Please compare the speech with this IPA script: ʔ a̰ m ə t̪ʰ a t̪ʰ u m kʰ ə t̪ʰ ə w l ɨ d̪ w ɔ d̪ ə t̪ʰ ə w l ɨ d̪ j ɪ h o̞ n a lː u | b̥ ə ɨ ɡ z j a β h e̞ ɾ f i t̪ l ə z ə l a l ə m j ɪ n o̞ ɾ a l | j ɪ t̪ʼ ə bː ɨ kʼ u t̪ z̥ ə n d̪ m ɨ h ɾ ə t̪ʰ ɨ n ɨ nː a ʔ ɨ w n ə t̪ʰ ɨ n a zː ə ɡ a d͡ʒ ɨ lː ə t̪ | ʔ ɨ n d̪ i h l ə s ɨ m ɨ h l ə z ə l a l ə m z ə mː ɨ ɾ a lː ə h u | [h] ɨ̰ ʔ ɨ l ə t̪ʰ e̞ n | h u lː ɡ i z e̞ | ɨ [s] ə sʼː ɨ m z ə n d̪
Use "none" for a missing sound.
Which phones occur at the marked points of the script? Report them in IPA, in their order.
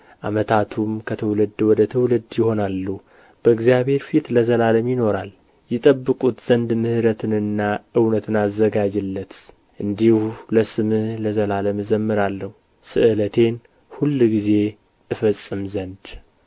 s, f

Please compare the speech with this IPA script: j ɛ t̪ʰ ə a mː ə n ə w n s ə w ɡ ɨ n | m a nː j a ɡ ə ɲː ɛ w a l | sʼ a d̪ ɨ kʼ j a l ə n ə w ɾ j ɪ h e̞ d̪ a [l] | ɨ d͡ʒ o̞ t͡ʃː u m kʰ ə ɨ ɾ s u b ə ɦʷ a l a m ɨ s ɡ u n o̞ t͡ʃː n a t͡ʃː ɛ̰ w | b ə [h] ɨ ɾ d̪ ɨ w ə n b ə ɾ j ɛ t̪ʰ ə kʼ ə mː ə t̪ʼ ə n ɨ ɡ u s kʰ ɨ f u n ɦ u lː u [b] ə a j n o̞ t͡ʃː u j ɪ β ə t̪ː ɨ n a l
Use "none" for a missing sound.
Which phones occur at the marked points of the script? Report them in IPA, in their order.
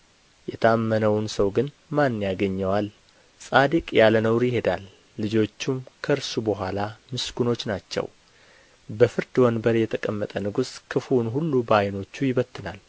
lː, f, b

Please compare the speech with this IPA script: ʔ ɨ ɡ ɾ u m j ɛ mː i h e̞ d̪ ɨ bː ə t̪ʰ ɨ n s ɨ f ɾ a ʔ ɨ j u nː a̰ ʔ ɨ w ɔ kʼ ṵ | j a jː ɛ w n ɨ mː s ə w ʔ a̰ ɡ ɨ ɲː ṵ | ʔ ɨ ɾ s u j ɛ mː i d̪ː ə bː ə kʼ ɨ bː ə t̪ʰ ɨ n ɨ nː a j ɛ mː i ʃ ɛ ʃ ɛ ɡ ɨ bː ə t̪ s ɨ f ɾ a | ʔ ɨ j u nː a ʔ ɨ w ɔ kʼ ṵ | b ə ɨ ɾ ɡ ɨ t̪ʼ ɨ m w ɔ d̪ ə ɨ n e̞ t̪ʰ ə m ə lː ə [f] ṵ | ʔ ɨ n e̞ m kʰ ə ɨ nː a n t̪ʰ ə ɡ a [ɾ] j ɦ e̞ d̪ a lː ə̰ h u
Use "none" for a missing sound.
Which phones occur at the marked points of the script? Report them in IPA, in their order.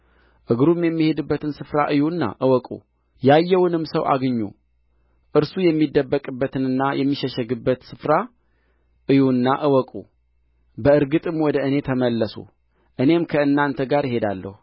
s, ɾ

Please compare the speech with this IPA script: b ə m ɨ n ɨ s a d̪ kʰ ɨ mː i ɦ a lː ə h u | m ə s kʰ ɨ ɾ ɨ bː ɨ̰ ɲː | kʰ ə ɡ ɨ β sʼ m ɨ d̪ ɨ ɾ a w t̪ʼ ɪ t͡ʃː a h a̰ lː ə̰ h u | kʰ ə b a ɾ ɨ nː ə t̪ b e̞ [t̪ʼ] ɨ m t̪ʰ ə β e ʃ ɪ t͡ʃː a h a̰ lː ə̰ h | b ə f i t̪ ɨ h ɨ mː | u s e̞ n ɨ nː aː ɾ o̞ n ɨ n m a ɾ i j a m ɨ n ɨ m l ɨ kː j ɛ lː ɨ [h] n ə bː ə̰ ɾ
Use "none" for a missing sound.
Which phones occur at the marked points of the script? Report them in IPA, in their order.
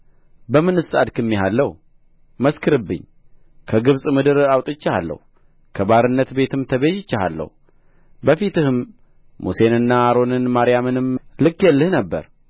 t̪, h

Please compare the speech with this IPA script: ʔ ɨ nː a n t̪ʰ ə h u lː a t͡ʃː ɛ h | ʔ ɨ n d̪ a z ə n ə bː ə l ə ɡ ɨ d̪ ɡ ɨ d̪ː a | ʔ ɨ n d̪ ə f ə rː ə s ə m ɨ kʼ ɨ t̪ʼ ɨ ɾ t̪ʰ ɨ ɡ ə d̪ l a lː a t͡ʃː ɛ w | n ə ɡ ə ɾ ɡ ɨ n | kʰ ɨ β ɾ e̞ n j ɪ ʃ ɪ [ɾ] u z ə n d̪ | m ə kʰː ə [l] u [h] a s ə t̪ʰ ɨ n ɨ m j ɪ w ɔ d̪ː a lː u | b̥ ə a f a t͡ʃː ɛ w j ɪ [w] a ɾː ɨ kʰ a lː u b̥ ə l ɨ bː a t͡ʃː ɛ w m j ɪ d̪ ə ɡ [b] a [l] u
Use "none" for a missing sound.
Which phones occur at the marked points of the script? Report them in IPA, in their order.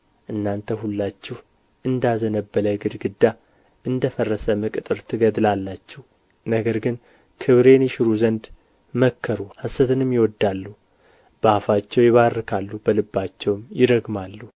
ɾ, ɾ, h, β, m, lː

